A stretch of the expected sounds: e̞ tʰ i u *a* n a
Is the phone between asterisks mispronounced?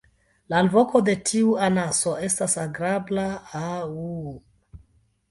no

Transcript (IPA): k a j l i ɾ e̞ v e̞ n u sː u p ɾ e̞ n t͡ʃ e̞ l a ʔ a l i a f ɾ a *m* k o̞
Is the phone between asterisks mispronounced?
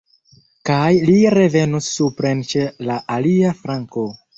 yes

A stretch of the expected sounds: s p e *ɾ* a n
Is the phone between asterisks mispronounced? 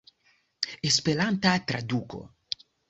yes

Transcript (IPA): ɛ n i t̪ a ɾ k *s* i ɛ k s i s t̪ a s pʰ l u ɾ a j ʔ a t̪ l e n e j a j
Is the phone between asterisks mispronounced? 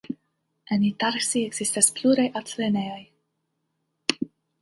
no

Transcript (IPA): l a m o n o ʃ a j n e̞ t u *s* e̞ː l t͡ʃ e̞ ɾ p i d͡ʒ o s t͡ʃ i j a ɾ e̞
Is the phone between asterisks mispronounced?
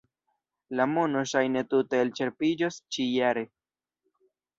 yes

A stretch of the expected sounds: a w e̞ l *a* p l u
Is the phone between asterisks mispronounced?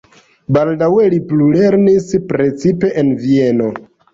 yes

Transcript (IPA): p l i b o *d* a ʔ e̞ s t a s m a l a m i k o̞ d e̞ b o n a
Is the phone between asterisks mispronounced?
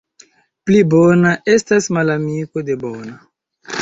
yes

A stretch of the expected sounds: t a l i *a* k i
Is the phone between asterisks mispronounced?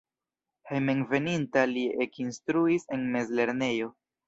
yes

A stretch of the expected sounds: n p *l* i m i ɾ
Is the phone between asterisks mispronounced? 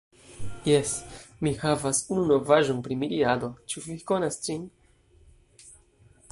yes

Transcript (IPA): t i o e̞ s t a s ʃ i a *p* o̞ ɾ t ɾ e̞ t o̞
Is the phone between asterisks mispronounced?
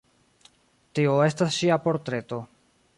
no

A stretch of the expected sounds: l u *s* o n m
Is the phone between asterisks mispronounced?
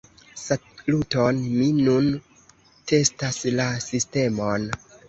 yes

